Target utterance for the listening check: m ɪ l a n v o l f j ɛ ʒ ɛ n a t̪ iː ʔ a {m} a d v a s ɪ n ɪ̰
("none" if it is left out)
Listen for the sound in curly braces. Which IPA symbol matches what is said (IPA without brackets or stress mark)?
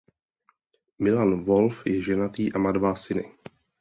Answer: m